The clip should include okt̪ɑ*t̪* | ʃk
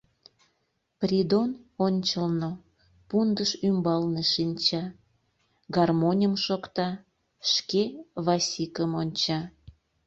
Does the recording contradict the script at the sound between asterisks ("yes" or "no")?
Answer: yes